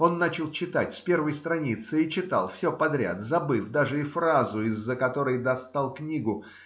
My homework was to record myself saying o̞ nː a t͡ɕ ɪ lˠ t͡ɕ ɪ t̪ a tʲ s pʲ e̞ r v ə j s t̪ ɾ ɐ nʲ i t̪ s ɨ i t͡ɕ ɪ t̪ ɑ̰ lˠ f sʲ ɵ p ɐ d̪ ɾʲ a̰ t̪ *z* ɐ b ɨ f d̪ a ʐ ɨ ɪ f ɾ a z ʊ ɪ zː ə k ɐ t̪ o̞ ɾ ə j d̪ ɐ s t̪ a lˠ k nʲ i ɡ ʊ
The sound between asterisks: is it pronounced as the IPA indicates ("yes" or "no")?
yes